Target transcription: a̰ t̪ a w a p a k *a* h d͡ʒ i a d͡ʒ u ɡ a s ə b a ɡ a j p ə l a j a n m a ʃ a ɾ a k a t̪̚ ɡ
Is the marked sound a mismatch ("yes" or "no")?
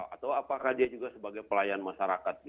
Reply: no